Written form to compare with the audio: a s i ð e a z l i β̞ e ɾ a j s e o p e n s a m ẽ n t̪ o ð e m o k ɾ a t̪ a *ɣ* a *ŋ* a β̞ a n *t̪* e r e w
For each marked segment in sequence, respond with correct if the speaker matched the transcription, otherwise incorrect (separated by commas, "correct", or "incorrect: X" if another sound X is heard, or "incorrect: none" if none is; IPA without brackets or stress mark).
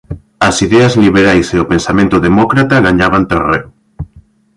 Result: correct, incorrect: ɲ, correct